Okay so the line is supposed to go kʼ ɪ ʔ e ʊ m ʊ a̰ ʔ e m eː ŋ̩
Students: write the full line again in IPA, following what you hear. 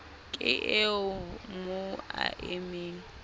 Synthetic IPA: kʼ ɪ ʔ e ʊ m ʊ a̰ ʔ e m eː ŋ̩